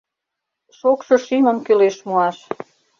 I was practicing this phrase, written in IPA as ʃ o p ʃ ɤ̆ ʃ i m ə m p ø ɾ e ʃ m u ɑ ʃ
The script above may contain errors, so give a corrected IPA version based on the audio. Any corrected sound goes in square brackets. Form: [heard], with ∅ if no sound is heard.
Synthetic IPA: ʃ o [k] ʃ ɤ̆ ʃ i m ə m [k] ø [l] e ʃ m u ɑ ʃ